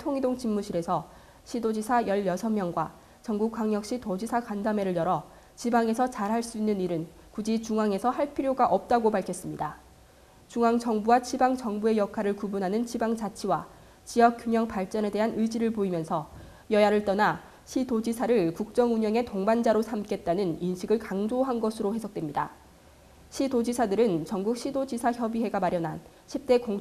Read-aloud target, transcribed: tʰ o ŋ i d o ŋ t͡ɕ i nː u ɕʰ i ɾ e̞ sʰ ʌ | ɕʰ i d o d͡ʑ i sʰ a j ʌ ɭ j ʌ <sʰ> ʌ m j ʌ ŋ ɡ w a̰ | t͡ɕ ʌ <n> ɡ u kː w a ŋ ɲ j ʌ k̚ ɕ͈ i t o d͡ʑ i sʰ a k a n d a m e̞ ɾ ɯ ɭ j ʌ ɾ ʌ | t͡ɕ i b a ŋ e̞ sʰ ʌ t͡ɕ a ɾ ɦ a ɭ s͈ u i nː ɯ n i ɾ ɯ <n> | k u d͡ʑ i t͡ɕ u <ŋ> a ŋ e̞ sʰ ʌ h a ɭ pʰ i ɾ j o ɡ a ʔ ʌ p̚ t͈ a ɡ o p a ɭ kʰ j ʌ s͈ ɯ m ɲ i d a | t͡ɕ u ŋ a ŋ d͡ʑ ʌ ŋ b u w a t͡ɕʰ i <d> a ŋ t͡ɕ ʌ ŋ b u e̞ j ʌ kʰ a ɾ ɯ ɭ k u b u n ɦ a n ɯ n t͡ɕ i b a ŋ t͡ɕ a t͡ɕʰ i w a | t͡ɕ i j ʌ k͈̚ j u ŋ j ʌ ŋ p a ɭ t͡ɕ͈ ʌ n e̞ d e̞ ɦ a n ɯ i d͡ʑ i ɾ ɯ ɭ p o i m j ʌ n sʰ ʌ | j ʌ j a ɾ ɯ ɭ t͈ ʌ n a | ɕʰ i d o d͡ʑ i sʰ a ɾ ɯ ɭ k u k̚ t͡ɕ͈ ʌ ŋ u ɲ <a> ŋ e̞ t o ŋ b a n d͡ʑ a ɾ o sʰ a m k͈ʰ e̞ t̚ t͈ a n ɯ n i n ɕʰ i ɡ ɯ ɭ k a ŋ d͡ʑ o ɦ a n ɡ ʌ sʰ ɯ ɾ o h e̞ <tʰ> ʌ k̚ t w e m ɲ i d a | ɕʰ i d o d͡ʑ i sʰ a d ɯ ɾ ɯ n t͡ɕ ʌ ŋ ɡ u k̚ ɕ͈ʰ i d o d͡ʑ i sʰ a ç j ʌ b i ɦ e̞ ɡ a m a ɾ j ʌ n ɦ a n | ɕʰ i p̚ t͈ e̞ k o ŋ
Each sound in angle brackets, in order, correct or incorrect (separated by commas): correct, incorrect, correct, correct, incorrect, incorrect, incorrect